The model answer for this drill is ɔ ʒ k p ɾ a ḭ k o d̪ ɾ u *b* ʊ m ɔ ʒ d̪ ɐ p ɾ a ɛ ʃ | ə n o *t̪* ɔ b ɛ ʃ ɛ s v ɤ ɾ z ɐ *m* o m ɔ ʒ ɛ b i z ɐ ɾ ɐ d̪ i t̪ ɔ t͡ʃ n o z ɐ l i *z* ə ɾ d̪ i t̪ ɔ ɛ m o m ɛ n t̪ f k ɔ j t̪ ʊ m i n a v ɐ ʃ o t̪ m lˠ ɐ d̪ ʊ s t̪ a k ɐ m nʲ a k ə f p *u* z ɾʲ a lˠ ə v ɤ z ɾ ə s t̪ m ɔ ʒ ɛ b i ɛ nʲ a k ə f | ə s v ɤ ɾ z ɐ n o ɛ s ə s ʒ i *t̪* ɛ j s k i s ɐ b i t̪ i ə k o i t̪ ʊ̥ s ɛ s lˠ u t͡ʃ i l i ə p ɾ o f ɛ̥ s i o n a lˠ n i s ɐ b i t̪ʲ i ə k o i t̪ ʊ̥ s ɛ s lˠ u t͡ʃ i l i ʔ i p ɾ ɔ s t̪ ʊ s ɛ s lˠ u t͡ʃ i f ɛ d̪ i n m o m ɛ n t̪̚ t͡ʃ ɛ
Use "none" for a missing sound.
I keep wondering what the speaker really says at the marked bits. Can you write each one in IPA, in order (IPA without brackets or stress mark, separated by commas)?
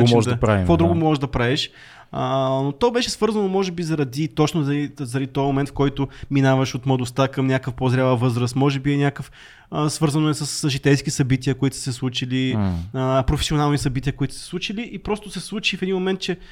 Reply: ɡ, t̪, n, z, o, t̪